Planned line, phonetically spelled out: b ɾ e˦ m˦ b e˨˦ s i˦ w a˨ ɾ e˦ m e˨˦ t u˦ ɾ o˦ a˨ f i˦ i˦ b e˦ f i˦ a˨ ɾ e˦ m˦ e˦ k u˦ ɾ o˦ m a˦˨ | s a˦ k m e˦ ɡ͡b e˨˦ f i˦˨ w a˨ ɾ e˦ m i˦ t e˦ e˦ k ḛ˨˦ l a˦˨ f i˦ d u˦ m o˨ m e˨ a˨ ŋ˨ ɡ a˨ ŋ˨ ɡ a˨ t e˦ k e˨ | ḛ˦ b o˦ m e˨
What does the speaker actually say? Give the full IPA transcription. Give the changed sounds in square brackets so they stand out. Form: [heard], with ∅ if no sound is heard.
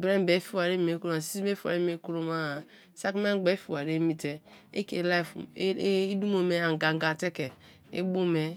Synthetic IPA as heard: b ɾ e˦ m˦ b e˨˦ [f] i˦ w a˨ ɾ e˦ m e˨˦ [k] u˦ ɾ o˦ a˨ [s] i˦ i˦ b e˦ f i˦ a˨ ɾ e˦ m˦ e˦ k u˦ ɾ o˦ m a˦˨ | s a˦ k m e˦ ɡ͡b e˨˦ f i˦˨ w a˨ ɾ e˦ m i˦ t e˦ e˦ k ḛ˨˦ l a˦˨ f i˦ d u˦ m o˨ m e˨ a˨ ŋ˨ ɡ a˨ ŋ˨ ɡ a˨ t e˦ k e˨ | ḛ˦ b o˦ m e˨